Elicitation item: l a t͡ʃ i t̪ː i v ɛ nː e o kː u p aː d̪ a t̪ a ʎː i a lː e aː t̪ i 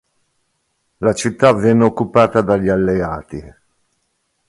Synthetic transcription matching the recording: l a t͡ʃ i t̪ː a v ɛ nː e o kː u p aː t̪ a d̪ a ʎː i a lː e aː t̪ i